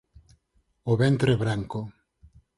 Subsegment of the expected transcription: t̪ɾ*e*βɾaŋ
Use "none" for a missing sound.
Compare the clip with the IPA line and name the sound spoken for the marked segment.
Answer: e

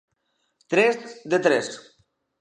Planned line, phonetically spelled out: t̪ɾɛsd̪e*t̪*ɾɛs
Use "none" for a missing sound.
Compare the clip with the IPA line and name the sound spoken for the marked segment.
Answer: t̪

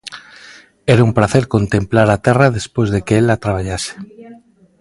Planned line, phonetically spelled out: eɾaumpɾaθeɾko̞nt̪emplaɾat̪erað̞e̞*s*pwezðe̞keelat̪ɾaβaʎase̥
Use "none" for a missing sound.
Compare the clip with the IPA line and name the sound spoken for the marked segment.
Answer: s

